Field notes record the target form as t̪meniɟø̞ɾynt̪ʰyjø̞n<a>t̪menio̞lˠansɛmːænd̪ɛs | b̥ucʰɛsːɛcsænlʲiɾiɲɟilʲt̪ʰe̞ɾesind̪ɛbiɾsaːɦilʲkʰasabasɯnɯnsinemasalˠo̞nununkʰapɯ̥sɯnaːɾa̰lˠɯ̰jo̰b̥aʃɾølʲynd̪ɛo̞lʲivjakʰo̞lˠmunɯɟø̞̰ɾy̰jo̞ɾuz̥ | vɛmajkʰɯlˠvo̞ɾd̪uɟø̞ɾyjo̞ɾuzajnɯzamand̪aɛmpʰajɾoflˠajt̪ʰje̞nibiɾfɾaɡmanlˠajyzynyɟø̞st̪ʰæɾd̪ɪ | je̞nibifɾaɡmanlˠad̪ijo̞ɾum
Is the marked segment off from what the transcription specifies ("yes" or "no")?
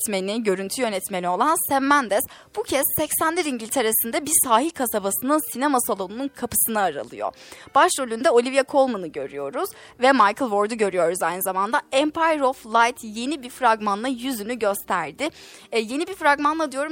yes